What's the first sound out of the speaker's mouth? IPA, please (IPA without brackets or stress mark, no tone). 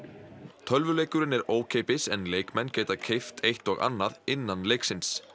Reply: t̪ʰ